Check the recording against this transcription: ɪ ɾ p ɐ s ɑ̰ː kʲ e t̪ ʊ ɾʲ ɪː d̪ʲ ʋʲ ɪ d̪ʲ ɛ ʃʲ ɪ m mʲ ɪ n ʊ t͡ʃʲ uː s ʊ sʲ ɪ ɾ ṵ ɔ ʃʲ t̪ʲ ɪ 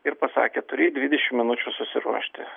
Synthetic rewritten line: ɪ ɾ p ɐ s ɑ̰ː kʲ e t̪ ʊ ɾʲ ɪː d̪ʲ ʋʲ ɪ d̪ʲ ɛ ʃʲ ɪ m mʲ ɪ n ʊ t͡ʃʲ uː s ʊ sʲ ɪ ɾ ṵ ɔ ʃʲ t̪ʲ ɪ